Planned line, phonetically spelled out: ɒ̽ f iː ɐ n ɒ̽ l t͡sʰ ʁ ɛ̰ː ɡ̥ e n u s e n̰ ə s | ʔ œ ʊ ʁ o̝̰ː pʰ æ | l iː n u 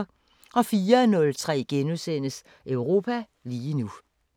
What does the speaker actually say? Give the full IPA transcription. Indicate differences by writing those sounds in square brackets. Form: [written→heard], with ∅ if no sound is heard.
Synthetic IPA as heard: ɒ̽ f iː ɐ n [ɒ̽→ɔ̽] l t͡sʰ ʁ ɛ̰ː ɡ̥ e n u s e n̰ ə s | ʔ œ ʊ ʁ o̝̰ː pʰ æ | l iː n u

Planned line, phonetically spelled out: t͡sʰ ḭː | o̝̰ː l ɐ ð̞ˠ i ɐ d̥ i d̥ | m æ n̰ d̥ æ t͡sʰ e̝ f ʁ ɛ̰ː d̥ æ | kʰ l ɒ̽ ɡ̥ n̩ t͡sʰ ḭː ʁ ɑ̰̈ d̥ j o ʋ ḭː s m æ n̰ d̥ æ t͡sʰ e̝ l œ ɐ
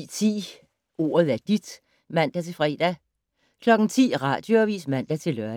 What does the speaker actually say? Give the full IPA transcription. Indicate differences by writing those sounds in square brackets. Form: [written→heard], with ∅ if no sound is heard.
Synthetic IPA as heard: t͡sʰ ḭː | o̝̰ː [l→∅] ɐ ð̞ˠ [i→æ] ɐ d̥ i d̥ | m æ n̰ d̥ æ t͡sʰ e̝ f ʁ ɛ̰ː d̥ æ | kʰ l ɒ̽ ɡ̥ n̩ t͡sʰ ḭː ʁ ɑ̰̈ d̥ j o ʋ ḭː s m æ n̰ d̥ æ t͡sʰ e̝ l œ ɐ

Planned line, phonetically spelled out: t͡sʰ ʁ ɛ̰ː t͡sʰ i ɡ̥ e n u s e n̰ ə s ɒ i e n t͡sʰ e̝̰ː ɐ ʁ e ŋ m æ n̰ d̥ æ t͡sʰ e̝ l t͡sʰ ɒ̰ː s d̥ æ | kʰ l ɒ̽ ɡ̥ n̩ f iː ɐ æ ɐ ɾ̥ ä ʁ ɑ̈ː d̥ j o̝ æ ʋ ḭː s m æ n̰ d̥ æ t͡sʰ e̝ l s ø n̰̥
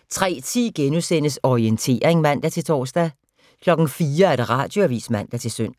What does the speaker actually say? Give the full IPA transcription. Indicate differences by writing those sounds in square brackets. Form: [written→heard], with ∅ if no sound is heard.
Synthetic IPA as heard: t͡sʰ ʁ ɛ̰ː t͡sʰ i ɡ̥ e n u s e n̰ ə s ɒ i e n t͡sʰ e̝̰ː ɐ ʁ e ŋ m æ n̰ d̥ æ t͡sʰ e̝ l t͡sʰ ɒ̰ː s d̥ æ | kʰ l ɒ̽ ɡ̥ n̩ f iː ɐ æ ɐ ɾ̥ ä ʁ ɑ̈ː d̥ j o̝ æ ʋ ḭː s m æ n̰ d̥ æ t͡sʰ e̝ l s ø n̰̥

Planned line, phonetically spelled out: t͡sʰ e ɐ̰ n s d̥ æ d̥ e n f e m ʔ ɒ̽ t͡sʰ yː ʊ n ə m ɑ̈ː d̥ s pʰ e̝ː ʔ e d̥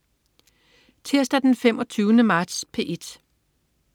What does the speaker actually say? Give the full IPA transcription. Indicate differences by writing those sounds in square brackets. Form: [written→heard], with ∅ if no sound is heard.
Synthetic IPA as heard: t͡sʰ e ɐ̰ [n→∅] s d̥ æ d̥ e n f e m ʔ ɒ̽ t͡sʰ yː ʊ n ə m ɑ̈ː d̥ s pʰ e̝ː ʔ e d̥

